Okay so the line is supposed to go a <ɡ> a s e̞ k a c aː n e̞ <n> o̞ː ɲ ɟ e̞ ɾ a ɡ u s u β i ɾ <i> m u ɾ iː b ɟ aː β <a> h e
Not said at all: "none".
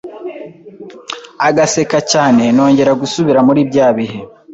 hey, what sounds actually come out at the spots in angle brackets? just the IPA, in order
ɡ, n, a, i

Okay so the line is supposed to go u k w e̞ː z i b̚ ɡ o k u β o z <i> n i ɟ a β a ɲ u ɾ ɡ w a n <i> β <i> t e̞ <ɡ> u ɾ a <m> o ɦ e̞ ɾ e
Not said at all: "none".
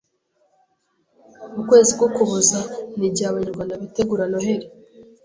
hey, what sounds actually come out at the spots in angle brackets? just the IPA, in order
a, a, i, ɡ, n

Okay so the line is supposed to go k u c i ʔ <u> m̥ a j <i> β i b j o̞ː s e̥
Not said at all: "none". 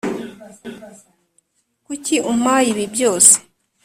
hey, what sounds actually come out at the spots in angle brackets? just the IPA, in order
u, i

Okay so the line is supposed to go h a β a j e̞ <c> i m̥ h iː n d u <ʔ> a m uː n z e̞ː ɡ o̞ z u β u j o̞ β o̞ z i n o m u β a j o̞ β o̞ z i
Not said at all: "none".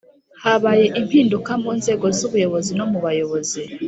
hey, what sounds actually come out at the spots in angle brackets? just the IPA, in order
ʔ, k

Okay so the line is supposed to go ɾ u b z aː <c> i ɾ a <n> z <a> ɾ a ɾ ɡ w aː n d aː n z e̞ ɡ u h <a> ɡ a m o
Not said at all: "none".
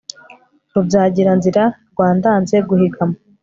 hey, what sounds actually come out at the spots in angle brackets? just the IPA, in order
ɟ, n, i, i

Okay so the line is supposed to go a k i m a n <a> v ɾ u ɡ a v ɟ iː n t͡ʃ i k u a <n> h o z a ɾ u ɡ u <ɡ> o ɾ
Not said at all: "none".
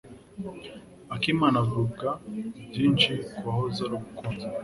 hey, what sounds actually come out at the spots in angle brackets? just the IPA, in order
a, none, k

